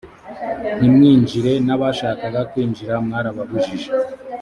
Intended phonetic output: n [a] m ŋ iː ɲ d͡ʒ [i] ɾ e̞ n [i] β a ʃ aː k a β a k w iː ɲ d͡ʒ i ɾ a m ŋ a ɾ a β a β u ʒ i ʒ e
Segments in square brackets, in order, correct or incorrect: incorrect: i, correct, incorrect: a

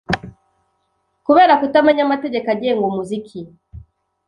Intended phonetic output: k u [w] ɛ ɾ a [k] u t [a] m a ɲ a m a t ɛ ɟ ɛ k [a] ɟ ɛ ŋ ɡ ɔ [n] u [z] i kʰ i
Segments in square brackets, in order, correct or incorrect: incorrect: β, correct, correct, correct, incorrect: m, correct

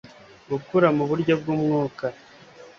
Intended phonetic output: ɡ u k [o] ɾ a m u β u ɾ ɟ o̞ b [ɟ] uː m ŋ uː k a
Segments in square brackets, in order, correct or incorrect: incorrect: u, incorrect: ɡ

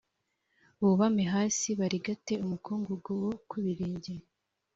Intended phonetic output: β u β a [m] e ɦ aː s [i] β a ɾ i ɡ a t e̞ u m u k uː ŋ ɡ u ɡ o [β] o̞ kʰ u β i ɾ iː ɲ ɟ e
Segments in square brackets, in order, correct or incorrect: correct, correct, incorrect: w

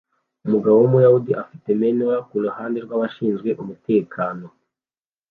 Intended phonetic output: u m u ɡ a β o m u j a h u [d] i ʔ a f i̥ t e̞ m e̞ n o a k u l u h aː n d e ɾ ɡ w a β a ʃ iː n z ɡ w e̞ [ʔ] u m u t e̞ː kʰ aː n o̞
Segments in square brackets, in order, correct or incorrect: correct, correct

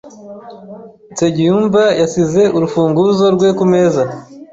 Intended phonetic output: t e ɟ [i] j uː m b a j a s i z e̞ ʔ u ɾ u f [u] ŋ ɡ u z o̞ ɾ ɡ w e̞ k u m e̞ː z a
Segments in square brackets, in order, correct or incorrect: correct, incorrect: uː

